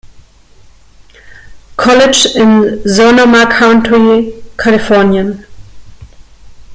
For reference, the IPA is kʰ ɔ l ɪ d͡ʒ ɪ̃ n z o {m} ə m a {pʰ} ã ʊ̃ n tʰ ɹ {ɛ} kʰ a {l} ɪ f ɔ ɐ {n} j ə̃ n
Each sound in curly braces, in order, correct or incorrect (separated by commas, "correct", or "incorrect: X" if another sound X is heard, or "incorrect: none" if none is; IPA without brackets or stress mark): incorrect: n, incorrect: kʰ, incorrect: i, correct, correct